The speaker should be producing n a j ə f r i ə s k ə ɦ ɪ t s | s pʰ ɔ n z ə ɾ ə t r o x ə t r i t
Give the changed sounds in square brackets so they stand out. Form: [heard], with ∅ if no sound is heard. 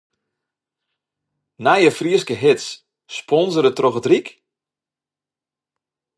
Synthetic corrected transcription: n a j ə f r i ə s k ə ɦ ɪ t s | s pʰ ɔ n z ə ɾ ə t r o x ə t r i [k]

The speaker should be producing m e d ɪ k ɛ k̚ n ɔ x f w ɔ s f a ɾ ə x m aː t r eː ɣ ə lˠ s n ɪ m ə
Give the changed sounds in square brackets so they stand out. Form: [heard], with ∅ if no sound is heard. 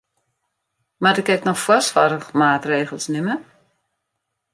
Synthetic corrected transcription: m [a] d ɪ k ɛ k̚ n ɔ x f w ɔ s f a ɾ ə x m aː t r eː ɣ ə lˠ s n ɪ m ə

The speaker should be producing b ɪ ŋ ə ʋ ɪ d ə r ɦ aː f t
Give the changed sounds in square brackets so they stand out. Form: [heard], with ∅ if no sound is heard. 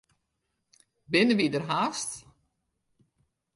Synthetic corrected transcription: b ɪ [n] ə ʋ [i] d ə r ɦ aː [s] t

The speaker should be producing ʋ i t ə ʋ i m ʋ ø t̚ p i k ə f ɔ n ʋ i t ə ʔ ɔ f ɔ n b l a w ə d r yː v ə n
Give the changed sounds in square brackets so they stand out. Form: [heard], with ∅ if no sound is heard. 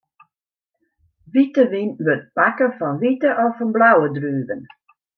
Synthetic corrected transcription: ʋ i t ə ʋ i [n] ʋ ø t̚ p [a] k ə f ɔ n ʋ i t ə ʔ ɔ f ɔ n b l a w ə d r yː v ə n

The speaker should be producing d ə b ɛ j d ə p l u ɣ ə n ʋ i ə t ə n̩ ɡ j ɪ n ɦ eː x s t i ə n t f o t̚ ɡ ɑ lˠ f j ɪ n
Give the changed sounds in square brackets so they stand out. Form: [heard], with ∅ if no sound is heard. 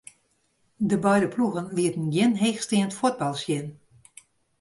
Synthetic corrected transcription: d ə b [œ] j d ə p l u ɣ ə n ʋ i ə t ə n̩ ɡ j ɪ n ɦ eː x s t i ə n t f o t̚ [b] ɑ lˠ [s] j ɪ n

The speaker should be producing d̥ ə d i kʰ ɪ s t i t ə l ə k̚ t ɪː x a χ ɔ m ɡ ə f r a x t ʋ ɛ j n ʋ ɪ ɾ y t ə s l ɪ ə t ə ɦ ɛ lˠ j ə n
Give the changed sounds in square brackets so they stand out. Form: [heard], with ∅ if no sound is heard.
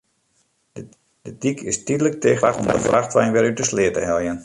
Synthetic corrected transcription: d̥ ə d i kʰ ɪ s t i [d] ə l ə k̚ t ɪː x a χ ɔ m [d] ə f r a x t ʋ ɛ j n ʋ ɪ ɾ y t ə s l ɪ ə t ə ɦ ɛ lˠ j ə n

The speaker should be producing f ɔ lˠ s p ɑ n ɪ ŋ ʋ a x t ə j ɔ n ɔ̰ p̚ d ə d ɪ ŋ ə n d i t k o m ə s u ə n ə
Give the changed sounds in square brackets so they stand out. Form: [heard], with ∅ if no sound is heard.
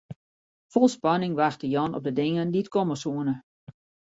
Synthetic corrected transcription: f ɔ lˠ s p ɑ n ɪ ŋ ʋ a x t ə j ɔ n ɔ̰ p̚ d ə d ɪ ŋ ə n d i t k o m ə s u ə n ə

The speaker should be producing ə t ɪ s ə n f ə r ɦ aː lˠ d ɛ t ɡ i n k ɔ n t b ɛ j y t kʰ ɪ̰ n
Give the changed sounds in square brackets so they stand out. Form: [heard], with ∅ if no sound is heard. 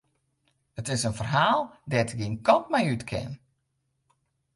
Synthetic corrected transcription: ə t ɪ s ə n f ə r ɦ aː lˠ d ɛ t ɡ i n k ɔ n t [m] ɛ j y t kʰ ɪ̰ n

